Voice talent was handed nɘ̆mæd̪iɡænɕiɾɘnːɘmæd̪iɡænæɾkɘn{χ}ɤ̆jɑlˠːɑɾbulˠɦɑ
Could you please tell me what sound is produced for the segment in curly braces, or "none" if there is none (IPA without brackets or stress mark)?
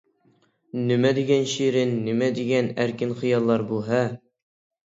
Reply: χ